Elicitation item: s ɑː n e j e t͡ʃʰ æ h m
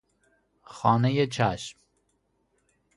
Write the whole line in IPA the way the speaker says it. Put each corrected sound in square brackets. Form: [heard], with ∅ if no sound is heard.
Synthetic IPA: [x] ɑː n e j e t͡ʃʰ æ [ʃ] m